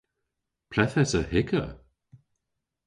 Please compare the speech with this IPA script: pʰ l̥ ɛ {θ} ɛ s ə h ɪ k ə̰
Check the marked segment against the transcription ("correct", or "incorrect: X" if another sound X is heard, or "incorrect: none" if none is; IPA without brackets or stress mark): correct